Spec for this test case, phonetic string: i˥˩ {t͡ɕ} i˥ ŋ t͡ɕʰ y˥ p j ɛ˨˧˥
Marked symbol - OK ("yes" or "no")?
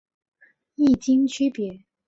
yes